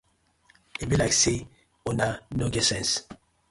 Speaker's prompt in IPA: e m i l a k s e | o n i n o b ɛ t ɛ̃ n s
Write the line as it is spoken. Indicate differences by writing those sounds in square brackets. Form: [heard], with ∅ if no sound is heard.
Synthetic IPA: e [b] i l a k s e | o n [a] n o [ɡ] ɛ [s] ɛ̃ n s